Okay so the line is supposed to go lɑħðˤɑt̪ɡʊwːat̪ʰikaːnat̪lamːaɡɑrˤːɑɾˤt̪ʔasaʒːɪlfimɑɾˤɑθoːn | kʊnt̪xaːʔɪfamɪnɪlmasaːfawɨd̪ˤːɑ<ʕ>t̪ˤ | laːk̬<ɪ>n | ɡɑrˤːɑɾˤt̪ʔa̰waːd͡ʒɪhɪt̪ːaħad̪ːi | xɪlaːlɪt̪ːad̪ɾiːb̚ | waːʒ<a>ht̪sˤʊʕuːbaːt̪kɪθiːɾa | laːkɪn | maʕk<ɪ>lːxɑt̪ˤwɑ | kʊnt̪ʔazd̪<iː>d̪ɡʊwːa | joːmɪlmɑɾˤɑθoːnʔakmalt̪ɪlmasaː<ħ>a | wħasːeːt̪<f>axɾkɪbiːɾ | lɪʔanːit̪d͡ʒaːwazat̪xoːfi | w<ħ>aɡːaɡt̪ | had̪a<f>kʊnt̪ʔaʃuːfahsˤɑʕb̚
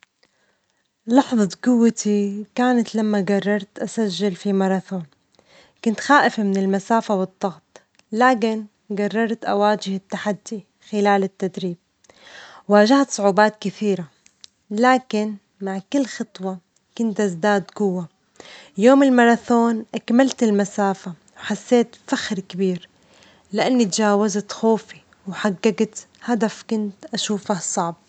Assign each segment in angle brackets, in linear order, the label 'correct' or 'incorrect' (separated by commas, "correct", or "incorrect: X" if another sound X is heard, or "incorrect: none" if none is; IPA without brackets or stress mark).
incorrect: ɣ, correct, correct, correct, incorrect: aː, incorrect: f, correct, correct, correct